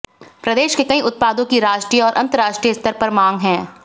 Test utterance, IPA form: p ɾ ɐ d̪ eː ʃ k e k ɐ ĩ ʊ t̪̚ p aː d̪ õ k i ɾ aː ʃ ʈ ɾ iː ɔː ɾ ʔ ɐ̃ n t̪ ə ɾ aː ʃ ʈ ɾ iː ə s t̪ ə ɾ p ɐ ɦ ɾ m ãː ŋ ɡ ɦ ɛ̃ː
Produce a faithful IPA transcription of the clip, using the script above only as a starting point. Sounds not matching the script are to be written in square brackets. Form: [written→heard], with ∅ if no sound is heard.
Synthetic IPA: p ɾ ɐ d̪ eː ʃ k e k ɐ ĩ ʊ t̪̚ p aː d̪ õ k i ɾ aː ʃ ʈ ɾ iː ɔː ɾ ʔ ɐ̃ n t̪ ə ɾ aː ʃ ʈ ɾ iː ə s t̪ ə ɾ p ɐ [ɦ→∅] ɾ m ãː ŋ ɡ ɦ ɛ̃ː